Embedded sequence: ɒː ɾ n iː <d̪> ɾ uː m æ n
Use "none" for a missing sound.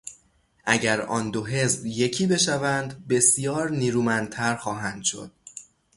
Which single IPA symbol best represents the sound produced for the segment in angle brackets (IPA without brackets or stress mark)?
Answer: none